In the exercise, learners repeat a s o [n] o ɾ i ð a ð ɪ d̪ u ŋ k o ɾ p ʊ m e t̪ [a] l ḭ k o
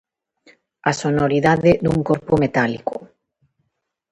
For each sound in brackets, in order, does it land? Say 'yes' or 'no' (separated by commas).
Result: yes, yes